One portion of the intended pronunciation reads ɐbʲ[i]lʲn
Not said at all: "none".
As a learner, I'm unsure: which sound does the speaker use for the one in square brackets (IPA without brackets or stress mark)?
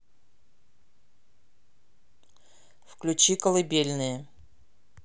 e